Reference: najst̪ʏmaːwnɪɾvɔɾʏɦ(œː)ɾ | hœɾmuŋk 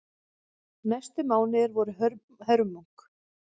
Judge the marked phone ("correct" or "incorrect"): incorrect